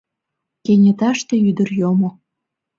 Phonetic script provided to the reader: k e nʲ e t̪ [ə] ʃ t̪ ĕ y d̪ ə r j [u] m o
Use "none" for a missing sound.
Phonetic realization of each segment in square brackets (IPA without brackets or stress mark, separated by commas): ɑ, o